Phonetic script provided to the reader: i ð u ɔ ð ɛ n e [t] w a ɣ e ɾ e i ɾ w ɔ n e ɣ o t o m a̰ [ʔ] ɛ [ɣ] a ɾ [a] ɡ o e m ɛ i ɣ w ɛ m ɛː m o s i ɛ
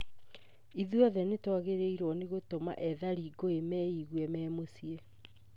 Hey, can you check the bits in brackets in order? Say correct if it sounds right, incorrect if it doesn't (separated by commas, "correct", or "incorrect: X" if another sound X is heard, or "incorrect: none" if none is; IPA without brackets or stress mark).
correct, correct, incorrect: ð, incorrect: i